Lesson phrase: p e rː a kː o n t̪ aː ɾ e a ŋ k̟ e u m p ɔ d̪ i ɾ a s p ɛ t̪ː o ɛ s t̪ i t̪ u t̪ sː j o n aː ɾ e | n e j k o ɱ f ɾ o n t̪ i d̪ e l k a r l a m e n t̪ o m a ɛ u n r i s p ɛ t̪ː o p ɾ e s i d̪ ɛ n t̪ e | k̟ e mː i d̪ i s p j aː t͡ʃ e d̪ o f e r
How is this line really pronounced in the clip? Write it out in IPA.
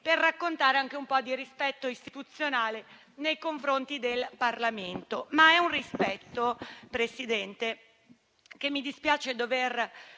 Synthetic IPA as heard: p e rː a kː o n t̪ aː ɾ e a ŋ k̟ e u m p ɔ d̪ i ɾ i s p ɛ t̪ː o i s t̪ i t̪ u t̪ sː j o n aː l e | n e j k o ɱ f ɾ o n t̪ i d̪ e l p a r l a m e n t̪ o m a ɛ u n r i s p ɛ t̪ː o p ɾ e s i d̪ ɛ n t̪ e | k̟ e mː i d̪ i s p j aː t͡ʃ e d̪ o v e r